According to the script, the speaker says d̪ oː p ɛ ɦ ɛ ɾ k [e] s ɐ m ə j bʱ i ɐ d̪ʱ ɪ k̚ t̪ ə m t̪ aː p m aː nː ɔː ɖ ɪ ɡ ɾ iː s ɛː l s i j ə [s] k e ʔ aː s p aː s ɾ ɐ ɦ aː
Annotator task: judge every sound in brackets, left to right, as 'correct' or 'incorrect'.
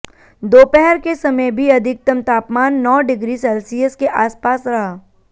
correct, correct

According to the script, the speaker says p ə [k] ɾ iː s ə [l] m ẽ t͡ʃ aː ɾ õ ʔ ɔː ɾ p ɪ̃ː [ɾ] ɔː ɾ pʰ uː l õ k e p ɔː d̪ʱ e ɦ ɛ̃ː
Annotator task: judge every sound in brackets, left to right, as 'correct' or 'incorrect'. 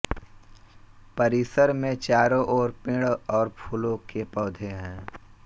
incorrect, incorrect, incorrect

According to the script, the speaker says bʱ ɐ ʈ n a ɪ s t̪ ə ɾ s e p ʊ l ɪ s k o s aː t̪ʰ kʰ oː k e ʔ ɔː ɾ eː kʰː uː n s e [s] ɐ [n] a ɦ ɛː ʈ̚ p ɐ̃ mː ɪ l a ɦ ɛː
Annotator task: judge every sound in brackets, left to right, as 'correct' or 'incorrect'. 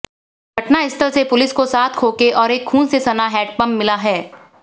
correct, correct

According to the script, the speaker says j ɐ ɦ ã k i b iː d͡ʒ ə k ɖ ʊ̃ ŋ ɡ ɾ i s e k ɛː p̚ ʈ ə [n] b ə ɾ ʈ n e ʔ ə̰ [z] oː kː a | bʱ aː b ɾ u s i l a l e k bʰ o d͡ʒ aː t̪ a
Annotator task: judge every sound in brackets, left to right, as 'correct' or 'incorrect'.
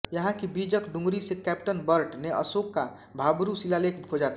correct, incorrect

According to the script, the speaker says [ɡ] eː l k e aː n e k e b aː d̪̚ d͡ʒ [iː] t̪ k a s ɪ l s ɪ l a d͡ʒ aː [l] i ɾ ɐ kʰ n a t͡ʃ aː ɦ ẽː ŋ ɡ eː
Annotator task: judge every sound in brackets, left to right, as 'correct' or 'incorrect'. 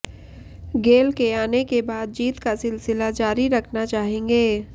correct, correct, incorrect

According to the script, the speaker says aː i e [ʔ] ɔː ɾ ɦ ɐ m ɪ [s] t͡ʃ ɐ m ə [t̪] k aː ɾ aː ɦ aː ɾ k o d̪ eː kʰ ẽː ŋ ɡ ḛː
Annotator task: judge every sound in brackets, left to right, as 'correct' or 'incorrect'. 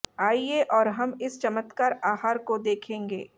correct, correct, correct

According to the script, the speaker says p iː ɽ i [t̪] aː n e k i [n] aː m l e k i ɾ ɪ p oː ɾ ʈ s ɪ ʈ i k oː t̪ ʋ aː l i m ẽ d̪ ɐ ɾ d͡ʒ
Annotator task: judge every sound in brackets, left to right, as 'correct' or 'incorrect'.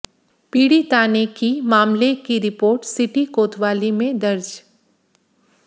correct, incorrect

